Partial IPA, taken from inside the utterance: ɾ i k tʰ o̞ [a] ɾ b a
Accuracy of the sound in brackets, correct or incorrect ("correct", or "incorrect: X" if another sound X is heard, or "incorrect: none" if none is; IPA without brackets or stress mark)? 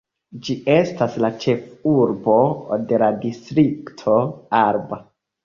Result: correct